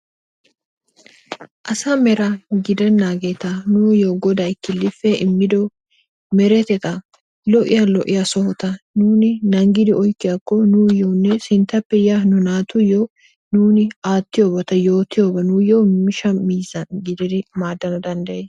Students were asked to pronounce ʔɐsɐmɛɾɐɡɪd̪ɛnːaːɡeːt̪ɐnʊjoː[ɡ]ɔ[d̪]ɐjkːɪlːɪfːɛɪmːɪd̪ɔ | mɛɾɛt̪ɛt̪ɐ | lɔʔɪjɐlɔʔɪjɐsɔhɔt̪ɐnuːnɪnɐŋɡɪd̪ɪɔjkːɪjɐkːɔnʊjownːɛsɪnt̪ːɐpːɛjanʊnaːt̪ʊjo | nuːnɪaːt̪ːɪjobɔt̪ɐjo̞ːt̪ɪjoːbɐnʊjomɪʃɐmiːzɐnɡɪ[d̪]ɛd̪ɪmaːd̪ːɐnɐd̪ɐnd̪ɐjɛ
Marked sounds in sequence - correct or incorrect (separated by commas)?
correct, correct, correct